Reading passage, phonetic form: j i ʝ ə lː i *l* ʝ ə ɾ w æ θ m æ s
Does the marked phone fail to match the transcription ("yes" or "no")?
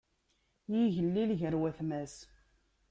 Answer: no